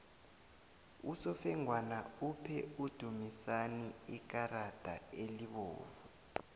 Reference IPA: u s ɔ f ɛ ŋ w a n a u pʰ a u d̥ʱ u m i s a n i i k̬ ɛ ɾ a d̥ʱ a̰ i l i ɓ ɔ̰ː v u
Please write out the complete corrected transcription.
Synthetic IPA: u s ɔ f ɛ ŋ w a n a u pʰ ɛ u d̥ʱ u m i s a n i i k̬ a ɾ a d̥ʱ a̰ e l i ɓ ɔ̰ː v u